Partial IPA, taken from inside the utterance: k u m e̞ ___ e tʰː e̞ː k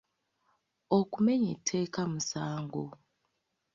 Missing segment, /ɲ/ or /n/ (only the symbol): ɲ